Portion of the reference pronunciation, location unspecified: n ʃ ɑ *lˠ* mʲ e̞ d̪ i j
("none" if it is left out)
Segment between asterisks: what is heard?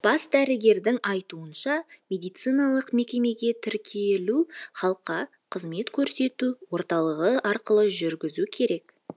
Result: none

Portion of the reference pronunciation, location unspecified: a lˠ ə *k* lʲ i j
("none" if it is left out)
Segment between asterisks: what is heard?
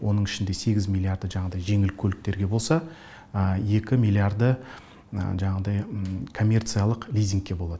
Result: q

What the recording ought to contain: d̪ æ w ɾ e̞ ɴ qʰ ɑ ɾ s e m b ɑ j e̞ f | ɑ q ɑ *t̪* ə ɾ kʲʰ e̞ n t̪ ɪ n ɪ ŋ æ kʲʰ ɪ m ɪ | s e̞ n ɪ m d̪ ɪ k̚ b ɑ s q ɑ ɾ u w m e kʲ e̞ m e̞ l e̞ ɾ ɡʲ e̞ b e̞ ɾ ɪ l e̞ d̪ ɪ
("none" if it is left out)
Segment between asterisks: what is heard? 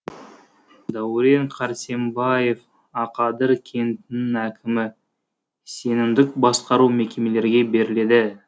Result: d̪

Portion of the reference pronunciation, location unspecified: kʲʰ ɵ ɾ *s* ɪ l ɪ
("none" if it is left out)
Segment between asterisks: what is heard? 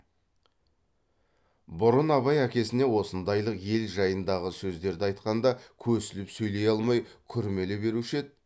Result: s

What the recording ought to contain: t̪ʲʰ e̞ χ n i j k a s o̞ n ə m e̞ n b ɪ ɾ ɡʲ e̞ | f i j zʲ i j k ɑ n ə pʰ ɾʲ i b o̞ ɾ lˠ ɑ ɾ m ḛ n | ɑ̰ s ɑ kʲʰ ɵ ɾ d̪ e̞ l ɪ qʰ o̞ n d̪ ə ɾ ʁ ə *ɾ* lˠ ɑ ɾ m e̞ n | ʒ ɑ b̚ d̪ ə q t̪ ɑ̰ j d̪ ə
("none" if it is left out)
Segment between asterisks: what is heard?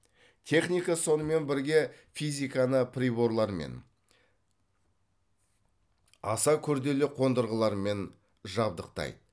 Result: none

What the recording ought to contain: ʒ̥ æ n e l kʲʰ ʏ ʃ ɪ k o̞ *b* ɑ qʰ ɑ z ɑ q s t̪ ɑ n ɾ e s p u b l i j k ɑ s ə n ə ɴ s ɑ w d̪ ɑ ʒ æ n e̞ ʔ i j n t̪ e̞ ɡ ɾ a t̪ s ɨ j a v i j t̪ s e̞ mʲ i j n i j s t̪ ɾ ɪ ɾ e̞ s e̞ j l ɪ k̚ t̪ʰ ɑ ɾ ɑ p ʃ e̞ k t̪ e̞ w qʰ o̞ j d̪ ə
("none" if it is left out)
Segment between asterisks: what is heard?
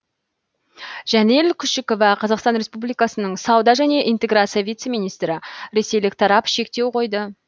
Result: v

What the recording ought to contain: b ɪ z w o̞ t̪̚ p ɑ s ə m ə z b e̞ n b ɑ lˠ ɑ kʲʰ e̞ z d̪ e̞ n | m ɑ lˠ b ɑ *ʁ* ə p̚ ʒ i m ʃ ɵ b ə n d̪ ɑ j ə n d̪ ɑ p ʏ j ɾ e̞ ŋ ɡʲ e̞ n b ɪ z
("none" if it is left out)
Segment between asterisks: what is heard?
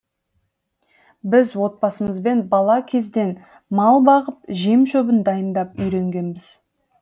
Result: ʁ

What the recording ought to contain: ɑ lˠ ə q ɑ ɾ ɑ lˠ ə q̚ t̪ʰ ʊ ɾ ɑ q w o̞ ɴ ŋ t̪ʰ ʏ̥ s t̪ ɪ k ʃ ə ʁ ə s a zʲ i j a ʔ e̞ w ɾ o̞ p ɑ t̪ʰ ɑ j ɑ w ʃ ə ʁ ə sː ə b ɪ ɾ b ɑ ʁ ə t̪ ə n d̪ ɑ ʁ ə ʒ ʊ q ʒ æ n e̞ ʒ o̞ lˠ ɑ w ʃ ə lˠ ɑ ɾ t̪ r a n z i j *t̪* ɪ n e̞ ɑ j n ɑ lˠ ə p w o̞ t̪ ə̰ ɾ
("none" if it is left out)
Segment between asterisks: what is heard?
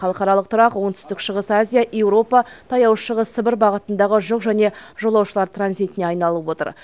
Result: t̪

